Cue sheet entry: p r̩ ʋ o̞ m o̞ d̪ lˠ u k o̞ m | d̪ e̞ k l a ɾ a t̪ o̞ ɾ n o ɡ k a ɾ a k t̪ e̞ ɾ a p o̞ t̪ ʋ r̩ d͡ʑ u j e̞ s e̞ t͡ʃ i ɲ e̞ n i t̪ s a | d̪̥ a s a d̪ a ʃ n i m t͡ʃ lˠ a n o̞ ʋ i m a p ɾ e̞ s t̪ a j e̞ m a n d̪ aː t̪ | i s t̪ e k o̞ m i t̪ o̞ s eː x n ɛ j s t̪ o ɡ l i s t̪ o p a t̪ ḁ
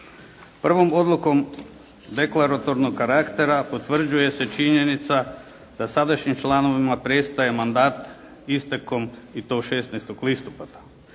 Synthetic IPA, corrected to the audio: p r̩ ʋ o̞ m o̞ d̪ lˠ u k o̞ m | d̪ e̞ k l a ɾ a t̪ o̞ ɾ n o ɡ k a ɾ a k t̪ e̞ ɾ a p o̞ t̪ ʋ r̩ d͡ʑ u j e̞ s e̞ t͡ʃ i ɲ e̞ n i t̪ s a | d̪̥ a s a d̪ a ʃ ɲ i m t͡ʃ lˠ a n o̞ ʋ i m a p ɾ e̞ s t̪ a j e̞ m a n d̪ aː t̪ | i s t̪ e k o̞ m i t̪ o̞ ʃ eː s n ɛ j s t̪ o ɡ l i s t̪ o p a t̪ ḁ